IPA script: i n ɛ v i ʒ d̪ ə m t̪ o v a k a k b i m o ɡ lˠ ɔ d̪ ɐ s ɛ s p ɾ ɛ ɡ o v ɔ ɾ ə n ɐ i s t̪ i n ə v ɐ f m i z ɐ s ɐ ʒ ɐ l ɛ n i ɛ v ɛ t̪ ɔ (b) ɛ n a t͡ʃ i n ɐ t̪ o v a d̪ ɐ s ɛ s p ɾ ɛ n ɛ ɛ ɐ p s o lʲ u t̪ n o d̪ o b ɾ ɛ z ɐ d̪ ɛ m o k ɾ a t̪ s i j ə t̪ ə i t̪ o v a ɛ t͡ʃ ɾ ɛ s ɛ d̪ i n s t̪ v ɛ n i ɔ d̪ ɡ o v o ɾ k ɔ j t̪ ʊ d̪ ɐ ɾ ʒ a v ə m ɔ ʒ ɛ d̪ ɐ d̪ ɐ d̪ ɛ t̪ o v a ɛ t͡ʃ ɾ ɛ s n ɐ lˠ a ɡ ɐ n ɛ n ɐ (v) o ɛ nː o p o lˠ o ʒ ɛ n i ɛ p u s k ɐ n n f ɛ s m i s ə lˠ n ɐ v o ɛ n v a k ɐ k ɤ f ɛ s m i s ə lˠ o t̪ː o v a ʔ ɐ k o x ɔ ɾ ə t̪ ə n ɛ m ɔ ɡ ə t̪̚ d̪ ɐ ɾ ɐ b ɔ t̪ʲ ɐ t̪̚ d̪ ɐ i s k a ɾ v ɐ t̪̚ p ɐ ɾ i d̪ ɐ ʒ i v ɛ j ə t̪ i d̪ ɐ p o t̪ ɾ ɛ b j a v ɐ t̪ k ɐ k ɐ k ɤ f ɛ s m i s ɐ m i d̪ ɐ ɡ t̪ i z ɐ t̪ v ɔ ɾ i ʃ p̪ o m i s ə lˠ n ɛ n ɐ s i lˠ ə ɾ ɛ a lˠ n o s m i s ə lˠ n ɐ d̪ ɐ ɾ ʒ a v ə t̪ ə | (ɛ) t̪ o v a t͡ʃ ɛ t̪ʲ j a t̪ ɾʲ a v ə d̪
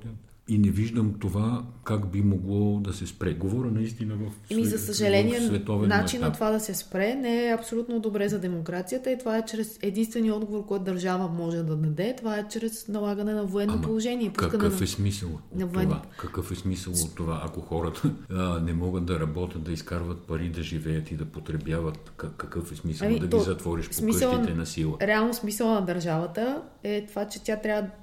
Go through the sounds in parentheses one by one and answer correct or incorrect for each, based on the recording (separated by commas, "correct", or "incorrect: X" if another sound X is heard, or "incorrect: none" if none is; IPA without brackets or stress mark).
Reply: incorrect: v, correct, correct